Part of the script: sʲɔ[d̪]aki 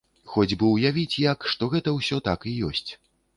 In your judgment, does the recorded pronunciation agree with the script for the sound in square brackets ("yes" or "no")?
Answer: no